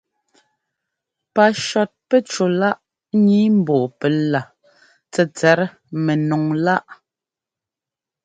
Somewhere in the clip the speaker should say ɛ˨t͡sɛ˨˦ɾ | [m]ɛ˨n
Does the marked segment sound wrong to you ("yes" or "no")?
no